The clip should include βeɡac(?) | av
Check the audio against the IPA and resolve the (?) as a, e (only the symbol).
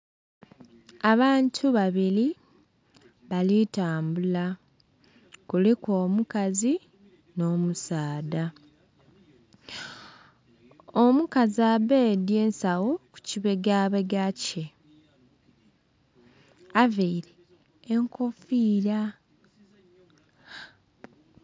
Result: e